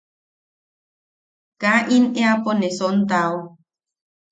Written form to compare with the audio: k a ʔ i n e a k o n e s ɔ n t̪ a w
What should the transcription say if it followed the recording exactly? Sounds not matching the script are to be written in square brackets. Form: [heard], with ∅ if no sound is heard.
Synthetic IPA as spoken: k a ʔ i n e a [p] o n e s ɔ n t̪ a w